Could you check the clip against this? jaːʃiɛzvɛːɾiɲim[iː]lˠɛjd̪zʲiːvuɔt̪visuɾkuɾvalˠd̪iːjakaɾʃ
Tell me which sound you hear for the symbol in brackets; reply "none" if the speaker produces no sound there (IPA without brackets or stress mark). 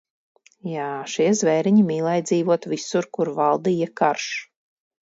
iː